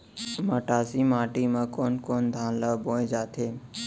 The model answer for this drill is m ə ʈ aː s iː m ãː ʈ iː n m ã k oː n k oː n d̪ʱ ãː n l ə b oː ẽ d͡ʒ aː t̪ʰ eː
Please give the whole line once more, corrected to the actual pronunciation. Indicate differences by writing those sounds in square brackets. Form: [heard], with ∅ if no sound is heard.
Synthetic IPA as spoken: m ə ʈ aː s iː m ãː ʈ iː [∅] m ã k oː n k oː n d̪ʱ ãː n l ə b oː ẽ d͡ʒ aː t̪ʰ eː

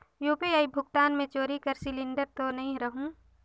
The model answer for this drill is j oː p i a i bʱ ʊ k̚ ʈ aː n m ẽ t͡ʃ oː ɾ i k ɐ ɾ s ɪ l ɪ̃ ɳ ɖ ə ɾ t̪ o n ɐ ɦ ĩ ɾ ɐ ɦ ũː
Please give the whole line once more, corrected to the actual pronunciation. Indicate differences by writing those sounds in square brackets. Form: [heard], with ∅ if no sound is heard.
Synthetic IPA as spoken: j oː p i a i bʱ ʊ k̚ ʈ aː n m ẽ t͡ʃ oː ɾ i k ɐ ɾ s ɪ l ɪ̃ ɳ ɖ ə ɾ t̪ o n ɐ ɦ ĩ ɾ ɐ ɦ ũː

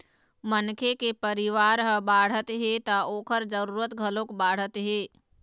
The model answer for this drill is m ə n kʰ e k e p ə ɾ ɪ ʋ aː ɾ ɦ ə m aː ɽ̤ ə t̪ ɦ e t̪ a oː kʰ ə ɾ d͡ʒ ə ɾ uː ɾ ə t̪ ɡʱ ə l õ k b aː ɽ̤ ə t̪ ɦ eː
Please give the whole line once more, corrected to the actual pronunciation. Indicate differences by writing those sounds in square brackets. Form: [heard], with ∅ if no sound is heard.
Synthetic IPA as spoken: m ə n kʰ e k e p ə ɾ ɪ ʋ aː ɾ ɦ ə [b] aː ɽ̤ ə t̪ ɦ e t̪ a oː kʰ ə ɾ d͡ʒ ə ɾ uː ɾ ə t̪ ɡʱ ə l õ k b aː ɽ̤ ə t̪ ɦ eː

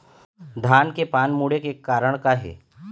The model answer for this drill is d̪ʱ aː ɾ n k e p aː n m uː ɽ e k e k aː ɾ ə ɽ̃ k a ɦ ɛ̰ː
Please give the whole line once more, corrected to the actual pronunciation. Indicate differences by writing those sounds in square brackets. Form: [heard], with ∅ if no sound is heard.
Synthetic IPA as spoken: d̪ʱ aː [∅] n k e p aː n m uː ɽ e k e k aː ɾ ə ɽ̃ k a ɦ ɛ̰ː

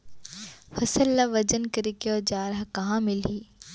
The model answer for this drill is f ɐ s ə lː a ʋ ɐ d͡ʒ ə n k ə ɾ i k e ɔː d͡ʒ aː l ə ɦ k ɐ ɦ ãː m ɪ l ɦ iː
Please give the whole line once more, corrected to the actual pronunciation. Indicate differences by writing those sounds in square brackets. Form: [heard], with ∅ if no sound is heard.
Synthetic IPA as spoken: f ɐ s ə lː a ʋ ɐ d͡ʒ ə n k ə ɾ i k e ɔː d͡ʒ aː [ɾ] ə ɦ k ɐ ɦ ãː m ɪ l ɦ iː

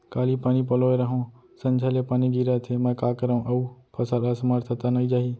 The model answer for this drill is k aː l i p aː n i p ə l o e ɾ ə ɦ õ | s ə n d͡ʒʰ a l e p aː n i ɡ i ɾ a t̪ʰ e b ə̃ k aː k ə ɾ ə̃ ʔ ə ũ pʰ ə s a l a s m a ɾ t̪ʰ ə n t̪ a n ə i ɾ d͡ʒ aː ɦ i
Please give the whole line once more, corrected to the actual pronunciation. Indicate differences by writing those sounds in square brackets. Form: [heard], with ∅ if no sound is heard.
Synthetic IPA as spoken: k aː l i p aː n i p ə l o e ɾ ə ɦ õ | s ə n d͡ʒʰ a l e p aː n i ɡ i ɾ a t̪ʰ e [m] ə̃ k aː k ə ɾ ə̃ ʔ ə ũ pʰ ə s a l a s m a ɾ t̪ʰ ə [∅] t̪ a n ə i [∅] d͡ʒ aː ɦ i

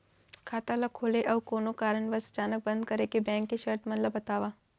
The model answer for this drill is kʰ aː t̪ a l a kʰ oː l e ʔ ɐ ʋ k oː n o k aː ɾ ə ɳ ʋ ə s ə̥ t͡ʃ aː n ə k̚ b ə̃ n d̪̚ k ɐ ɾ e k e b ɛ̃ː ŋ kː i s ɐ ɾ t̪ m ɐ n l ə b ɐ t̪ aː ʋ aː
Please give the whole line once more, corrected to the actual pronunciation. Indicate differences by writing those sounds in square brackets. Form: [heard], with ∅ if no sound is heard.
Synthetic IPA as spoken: kʰ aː t̪ a l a kʰ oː l e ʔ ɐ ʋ k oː n o k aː ɾ ə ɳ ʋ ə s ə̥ t͡ʃ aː n ə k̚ b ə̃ n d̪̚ k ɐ ɾ e k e b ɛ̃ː ŋ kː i [ʃ] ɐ ɾ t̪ m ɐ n l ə b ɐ t̪ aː ʋ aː

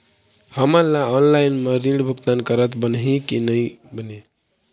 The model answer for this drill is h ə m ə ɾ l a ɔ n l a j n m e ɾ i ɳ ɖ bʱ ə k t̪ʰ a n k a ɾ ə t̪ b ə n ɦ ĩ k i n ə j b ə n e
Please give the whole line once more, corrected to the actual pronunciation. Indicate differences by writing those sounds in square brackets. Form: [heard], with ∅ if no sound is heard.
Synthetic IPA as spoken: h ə m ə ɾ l a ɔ n l a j n m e ɾ i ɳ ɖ bʱ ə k [t̪] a n k [ə] ɾ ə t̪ b ə n ɦ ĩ k i n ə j b ə n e

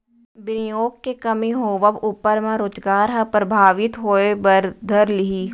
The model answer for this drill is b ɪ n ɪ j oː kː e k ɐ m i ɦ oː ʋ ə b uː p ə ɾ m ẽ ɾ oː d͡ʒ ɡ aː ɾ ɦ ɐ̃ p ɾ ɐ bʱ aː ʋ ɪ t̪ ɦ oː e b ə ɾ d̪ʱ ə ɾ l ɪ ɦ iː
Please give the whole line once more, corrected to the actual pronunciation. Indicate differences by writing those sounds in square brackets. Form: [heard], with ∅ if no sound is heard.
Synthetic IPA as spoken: b ɪ n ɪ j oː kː e k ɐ m i ɦ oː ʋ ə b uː p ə ɾ m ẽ ɾ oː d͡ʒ ɡ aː ɾ ɦ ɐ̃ p ɾ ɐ bʱ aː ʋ ɪ t̪ ɦ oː e b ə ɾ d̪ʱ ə ɾ l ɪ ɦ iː

